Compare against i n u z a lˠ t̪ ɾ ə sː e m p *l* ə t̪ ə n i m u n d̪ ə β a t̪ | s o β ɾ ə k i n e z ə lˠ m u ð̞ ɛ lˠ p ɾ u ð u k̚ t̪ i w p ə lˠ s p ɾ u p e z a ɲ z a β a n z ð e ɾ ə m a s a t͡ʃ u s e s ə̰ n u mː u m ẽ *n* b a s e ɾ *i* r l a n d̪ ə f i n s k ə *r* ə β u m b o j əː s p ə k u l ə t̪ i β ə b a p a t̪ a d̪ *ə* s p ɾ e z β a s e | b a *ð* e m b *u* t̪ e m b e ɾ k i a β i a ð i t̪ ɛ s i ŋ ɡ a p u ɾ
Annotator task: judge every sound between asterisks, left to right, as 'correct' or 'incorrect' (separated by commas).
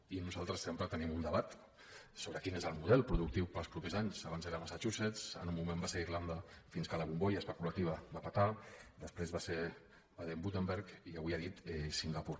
incorrect, incorrect, correct, incorrect, correct, correct, correct